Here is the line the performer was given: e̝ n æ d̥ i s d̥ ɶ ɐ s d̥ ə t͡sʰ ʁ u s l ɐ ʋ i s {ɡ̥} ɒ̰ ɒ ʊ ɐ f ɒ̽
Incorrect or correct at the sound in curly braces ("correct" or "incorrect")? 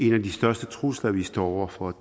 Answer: incorrect